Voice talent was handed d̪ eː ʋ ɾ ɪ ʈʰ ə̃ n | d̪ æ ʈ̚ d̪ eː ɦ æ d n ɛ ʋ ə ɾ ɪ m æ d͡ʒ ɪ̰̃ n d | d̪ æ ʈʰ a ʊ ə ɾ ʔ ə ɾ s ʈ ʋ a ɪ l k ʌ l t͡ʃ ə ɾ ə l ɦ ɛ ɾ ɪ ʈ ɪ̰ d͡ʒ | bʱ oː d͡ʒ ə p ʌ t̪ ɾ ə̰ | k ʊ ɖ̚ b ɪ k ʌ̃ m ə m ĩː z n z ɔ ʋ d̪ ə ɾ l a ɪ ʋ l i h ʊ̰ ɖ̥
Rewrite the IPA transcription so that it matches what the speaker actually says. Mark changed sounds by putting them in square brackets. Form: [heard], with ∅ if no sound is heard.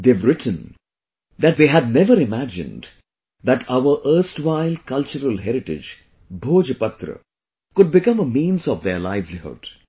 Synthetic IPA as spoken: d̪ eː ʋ ɾ ɪ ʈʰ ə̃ n | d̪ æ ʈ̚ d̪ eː ɦ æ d n ɛ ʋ ə ɾ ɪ m æ d͡ʒ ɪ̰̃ n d | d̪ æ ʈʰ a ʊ ə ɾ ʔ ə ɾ s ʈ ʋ a ɪ l k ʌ l t͡ʃ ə ɾ ə l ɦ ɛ ɾ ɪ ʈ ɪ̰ d͡ʒ | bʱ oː d͡ʒ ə p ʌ t̪ ɾ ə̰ | k ʊ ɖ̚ b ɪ k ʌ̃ m ə m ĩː [∅] n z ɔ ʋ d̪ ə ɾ l a ɪ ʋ l i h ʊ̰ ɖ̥